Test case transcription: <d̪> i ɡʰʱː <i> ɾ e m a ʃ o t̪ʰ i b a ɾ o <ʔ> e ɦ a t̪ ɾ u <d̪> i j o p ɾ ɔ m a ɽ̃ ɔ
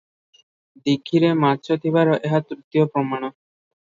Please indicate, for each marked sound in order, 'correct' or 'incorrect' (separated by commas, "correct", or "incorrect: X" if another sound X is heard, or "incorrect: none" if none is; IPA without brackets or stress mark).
correct, correct, correct, incorrect: t̪